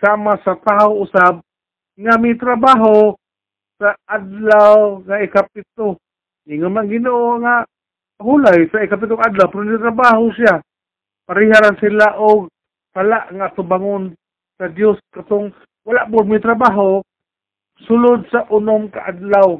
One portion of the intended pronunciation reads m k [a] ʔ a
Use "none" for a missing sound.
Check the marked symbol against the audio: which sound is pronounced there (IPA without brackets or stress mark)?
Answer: a